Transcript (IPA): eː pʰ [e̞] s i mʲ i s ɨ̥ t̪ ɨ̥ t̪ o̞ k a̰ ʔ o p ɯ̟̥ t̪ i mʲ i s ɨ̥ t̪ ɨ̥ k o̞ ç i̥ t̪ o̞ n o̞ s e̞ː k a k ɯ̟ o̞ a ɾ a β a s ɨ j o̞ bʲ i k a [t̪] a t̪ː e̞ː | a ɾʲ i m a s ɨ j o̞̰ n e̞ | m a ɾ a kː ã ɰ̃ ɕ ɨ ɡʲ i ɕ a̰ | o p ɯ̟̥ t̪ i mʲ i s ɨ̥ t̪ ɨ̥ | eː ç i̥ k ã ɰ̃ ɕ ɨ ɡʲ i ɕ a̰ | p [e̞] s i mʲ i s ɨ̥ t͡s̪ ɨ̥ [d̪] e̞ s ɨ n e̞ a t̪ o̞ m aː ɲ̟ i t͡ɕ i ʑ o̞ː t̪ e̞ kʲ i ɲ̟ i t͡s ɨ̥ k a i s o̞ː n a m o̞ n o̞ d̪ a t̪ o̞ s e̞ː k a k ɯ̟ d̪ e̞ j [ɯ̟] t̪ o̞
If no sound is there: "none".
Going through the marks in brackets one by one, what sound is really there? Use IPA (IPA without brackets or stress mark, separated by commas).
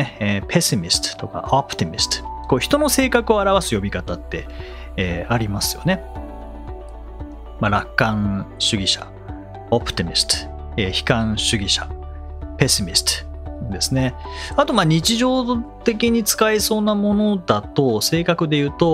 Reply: e̞, t̪, e̞, d̪, ɯ̟ː